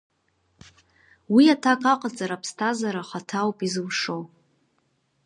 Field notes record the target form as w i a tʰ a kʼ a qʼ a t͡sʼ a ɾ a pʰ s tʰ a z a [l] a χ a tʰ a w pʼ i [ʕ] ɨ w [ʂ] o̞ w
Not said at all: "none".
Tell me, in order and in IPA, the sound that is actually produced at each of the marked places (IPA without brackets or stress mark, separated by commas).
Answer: ɾ, z, ʂ